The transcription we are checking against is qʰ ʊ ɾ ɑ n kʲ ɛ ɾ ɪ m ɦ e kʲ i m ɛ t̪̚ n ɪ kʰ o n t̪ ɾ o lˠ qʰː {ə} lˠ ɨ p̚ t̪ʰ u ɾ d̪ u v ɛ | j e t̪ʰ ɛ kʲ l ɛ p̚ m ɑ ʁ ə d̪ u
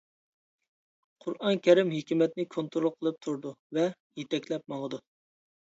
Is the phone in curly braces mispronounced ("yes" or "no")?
no